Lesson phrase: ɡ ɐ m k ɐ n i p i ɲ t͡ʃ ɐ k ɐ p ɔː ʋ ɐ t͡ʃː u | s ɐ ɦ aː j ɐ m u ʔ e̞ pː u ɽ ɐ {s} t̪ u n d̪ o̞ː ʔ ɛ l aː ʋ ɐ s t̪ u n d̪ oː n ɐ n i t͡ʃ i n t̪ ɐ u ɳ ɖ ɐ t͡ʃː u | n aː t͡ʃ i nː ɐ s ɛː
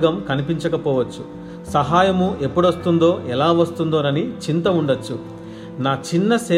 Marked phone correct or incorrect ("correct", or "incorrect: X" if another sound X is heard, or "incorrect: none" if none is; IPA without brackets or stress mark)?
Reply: correct